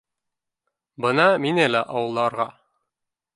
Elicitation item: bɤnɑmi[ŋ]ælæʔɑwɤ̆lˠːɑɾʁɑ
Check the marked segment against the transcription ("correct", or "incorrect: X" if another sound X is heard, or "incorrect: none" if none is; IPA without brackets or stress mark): incorrect: n